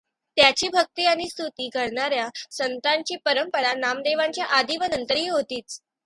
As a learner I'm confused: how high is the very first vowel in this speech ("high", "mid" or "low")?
low